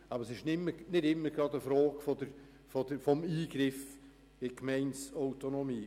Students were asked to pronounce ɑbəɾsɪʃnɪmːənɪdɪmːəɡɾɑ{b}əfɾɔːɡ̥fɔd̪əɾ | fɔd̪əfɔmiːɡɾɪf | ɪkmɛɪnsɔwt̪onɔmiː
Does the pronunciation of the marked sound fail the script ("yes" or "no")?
yes